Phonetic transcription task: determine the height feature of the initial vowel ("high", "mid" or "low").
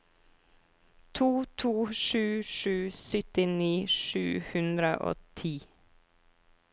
high